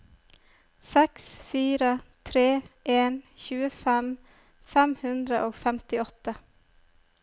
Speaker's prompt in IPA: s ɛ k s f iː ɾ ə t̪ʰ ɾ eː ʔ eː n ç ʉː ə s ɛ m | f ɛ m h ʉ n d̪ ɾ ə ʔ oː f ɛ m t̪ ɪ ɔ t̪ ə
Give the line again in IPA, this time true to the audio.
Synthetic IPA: s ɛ k s f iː ɾ ə t̪ʰ ɾ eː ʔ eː n ç ʉː ə f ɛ m | f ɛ m h ʉ n d̪ ɾ ə ʔ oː f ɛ m t̪ ɪ ɔ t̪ ə